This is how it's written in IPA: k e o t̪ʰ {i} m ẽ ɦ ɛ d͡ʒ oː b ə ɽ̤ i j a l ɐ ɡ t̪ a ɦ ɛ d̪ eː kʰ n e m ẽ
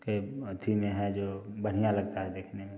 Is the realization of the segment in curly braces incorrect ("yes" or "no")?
no